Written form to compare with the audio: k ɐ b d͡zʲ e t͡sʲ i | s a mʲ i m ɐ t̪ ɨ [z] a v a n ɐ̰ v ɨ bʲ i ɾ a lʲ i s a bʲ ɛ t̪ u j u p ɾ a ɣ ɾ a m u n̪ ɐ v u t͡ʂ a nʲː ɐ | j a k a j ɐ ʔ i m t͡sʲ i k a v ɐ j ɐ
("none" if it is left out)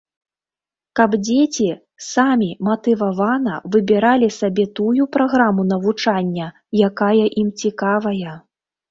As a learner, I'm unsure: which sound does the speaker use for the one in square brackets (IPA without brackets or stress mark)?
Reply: v